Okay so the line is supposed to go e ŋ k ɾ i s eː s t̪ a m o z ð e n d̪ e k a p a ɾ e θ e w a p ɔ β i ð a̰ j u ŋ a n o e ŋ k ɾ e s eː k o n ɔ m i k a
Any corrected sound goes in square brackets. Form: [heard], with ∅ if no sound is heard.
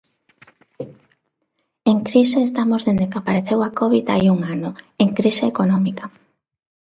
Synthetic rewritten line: e ŋ k ɾ i s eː s t̪ a m o z ð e n d̪ e k a p a ɾ e θ e w a [k] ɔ β i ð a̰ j u ŋ a n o e ŋ k ɾ [i] s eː k o n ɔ m i k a